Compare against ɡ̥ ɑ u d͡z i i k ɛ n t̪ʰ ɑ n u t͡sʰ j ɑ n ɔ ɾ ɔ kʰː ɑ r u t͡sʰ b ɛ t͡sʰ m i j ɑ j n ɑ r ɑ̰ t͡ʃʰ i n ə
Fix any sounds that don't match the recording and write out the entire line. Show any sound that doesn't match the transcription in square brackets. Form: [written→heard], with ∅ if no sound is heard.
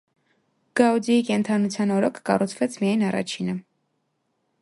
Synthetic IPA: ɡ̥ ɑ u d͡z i i k ɛ n t̪ʰ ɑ n u t͡sʰ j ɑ n ɔ ɾ ɔ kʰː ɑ r u t͡sʰ [b→v] ɛ t͡sʰ m i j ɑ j n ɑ r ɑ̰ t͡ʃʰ i n ə